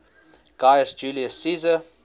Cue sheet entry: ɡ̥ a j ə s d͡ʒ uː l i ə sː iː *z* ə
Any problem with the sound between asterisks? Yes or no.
no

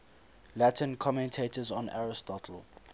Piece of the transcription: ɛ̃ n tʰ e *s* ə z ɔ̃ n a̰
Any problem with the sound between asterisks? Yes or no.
yes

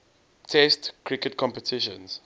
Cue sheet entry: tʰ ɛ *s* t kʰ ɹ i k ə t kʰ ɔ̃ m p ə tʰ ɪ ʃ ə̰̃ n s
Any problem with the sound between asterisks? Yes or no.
no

